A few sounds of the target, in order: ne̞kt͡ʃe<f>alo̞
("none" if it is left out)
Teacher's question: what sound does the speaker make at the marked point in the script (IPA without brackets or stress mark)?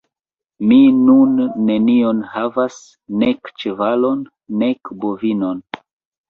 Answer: v